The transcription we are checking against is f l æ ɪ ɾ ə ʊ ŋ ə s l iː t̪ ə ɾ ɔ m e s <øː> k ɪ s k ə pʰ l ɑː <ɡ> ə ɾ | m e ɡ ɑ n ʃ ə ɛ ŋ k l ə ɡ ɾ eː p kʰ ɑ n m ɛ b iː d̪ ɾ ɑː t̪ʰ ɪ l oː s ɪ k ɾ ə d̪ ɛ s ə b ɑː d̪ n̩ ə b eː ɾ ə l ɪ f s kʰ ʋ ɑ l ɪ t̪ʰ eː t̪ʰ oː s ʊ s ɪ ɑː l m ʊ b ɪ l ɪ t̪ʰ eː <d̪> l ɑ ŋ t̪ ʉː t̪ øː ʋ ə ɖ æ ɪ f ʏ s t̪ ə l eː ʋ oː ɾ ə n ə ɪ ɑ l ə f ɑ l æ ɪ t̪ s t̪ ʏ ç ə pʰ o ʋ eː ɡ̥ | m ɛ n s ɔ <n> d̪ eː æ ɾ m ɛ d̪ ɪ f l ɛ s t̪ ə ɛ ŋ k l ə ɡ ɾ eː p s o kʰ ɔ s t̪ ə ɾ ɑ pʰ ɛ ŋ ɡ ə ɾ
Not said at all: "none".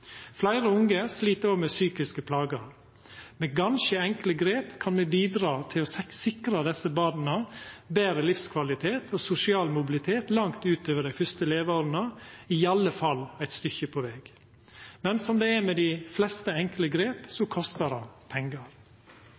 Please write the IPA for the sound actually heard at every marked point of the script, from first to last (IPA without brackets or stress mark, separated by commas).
yː, ɡ, t̪, m